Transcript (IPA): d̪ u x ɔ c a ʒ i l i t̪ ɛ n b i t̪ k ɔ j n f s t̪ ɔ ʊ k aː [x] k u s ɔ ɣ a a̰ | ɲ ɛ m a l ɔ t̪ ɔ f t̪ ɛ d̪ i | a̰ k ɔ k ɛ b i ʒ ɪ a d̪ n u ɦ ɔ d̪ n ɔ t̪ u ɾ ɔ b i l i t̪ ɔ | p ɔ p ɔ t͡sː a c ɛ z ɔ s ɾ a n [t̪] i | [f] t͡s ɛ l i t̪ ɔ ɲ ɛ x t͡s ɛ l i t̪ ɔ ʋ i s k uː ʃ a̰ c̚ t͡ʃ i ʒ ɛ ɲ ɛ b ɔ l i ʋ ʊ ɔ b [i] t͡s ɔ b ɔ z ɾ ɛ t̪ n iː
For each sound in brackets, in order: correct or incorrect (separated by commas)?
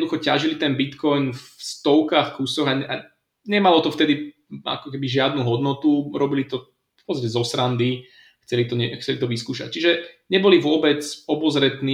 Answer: correct, incorrect, incorrect, incorrect